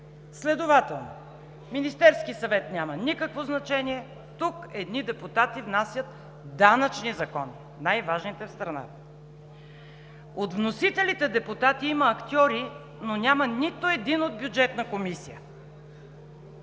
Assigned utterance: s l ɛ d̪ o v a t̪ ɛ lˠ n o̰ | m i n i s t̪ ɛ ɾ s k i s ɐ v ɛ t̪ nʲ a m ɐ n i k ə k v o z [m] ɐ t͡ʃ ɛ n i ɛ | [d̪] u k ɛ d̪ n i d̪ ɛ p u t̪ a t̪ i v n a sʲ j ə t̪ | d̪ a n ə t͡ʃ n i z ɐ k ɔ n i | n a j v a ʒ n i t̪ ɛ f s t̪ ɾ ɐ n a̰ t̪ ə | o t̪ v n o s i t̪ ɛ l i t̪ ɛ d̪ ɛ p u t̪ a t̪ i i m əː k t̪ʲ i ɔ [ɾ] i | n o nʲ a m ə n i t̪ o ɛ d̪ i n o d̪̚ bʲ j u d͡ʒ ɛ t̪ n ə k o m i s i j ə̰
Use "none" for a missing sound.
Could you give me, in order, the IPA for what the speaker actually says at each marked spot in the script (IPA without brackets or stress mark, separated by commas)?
n, t̪, ɾ